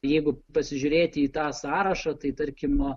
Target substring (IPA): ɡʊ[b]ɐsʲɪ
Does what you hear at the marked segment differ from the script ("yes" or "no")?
yes